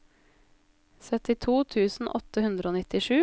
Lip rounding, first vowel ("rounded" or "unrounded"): rounded